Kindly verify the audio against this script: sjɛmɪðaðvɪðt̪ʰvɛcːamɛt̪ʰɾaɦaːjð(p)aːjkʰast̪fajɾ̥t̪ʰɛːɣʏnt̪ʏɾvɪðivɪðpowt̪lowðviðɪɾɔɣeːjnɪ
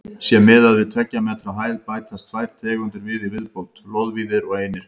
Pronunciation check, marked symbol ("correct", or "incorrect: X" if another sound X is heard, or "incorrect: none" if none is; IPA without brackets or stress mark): correct